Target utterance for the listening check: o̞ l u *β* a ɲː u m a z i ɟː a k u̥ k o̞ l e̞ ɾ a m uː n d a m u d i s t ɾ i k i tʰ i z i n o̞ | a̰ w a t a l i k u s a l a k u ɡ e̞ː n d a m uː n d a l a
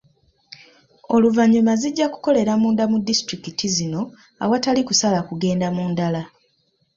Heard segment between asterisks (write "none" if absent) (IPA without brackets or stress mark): v